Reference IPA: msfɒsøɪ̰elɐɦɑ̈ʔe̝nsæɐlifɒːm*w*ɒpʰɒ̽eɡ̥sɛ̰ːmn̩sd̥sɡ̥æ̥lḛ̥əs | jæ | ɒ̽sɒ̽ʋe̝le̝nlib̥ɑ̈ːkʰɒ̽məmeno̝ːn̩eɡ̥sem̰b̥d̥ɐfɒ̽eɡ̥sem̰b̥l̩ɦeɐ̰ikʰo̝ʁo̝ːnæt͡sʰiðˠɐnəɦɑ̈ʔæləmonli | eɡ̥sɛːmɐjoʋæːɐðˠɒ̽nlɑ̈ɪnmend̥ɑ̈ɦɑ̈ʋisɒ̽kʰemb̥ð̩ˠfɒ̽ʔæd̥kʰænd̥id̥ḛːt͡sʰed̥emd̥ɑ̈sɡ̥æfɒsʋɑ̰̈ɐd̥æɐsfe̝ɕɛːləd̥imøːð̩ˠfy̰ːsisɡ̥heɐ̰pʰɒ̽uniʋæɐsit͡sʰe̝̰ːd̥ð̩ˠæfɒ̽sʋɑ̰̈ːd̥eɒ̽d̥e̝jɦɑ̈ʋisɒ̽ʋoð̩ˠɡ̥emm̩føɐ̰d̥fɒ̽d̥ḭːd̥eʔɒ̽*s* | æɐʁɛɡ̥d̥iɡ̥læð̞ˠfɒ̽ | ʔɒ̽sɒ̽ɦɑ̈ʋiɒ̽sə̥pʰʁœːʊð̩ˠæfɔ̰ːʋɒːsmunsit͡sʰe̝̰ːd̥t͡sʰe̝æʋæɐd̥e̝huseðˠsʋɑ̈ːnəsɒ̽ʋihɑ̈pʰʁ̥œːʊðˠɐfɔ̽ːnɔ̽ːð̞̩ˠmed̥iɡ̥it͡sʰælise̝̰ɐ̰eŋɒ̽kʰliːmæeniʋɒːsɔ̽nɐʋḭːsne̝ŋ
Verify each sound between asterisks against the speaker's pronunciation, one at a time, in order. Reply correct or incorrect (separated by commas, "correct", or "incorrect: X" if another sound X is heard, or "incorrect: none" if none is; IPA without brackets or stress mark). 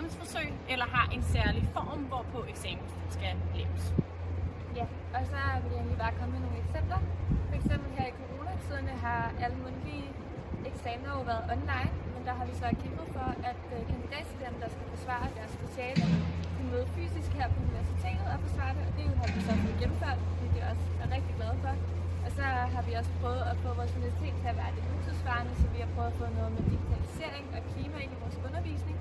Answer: incorrect: ʋ, correct